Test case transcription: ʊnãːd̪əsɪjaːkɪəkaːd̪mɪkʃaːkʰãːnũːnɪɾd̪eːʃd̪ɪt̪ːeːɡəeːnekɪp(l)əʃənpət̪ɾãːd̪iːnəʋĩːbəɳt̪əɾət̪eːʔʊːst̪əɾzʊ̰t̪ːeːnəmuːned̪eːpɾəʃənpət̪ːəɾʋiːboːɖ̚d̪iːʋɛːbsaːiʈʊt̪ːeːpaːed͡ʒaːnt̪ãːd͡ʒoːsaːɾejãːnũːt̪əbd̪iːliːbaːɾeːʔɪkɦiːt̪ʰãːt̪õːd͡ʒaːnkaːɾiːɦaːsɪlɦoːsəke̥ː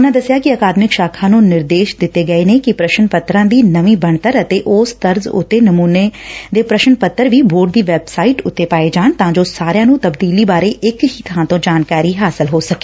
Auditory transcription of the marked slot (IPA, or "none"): ɾ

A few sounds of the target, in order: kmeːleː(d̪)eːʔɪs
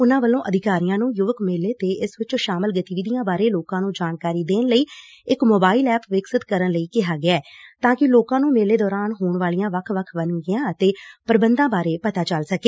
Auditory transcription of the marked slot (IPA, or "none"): t̪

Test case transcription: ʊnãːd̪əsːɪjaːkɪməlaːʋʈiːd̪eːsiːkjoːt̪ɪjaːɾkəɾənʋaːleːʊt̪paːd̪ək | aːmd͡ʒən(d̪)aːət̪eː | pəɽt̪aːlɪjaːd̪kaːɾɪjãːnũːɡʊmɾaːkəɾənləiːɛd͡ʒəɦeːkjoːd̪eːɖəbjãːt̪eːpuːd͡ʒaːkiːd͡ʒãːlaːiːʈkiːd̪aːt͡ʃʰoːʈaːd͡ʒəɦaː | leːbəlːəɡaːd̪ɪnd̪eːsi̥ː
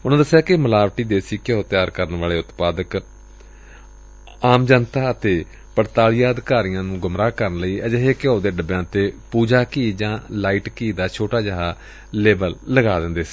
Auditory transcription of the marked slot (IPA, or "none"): t̪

